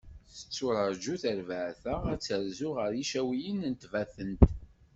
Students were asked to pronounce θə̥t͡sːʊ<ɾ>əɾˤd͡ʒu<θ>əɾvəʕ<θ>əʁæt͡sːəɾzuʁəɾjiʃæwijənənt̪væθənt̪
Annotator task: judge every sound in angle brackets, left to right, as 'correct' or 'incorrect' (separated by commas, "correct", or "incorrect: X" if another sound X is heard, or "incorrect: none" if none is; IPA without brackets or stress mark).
correct, correct, correct